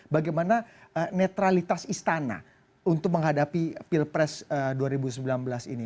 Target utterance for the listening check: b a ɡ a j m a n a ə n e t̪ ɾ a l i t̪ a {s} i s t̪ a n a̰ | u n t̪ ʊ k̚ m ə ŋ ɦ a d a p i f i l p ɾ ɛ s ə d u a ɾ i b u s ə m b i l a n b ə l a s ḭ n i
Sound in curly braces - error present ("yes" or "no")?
no